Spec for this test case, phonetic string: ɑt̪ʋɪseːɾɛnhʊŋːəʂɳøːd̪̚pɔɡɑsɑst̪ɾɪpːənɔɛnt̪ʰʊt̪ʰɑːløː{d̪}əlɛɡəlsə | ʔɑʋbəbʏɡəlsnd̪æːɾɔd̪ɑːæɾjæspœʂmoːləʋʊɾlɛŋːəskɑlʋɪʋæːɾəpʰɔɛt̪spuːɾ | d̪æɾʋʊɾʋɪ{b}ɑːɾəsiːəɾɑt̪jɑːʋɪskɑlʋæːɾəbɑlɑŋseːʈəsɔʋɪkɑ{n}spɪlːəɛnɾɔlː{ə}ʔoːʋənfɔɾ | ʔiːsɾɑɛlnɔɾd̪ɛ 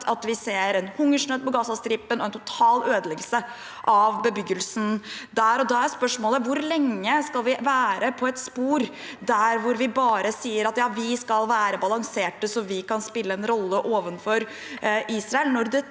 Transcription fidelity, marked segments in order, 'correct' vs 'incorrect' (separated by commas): correct, correct, correct, correct